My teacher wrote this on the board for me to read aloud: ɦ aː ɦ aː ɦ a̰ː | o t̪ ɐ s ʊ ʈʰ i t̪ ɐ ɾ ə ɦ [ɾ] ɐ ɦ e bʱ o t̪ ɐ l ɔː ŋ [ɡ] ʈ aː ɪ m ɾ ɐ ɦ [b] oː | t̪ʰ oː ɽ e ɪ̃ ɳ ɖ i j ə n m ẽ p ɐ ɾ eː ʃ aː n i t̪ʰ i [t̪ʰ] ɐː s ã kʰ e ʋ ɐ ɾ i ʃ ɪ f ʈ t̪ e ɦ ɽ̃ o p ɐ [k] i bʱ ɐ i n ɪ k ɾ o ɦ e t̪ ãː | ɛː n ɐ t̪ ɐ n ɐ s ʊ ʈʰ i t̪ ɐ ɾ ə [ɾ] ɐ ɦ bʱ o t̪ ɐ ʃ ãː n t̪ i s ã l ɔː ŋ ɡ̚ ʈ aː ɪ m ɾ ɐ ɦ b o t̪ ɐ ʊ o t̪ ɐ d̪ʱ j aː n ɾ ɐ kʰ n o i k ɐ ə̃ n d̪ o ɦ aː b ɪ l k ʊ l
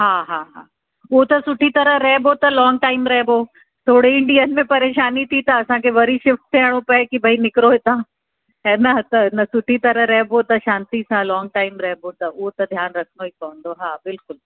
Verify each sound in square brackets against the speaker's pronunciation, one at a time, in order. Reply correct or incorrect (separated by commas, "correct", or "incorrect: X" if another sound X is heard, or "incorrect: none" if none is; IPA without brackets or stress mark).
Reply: correct, correct, correct, incorrect: t̪, correct, correct